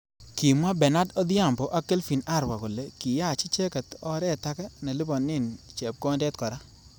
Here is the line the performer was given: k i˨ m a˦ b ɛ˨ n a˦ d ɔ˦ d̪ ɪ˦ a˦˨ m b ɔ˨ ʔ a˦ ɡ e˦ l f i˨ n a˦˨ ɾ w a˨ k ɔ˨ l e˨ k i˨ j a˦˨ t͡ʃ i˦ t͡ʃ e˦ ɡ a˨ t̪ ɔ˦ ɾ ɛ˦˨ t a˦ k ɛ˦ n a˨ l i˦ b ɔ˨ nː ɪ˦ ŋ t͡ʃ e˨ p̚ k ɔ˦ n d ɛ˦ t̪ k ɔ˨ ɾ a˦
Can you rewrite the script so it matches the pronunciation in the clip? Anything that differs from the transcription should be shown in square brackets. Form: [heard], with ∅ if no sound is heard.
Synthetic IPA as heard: k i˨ m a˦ b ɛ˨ n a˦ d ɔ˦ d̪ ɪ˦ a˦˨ m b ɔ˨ ʔ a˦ [k] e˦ l f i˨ n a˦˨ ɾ w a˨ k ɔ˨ l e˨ k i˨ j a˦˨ t͡ʃ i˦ t͡ʃ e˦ [k] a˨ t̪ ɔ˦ ɾ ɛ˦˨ t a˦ k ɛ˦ n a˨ l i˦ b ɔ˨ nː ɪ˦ [n] t͡ʃ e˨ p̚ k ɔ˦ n d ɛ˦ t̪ k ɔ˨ ɾ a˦